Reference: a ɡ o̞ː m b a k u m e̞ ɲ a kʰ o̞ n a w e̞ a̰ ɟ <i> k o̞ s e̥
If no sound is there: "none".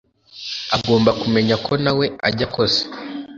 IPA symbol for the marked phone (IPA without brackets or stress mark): a